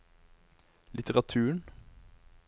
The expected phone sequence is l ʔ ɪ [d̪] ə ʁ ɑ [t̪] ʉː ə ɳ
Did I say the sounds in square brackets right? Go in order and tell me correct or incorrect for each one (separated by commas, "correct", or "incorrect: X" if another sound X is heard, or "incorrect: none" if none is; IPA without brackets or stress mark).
incorrect: t̪, incorrect: t̪ʰ